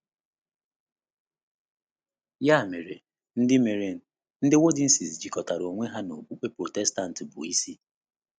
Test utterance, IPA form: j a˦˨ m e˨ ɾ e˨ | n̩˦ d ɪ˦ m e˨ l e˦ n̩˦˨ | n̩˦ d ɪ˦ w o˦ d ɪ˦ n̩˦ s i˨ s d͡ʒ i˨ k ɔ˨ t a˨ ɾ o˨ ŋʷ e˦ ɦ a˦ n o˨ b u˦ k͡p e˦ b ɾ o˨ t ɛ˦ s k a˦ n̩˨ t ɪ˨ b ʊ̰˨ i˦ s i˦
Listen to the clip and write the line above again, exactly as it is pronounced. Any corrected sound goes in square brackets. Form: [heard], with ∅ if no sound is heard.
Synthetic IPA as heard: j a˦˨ m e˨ ɾ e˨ | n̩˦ d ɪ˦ m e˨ [ɾ] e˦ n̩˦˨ | n̩˦ d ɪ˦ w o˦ d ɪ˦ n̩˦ s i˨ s d͡ʒ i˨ k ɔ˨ t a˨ ɾ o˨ ŋʷ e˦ ɦ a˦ n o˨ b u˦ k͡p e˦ [p] ɾ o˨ t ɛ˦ s [t] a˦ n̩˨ t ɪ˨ b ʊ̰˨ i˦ s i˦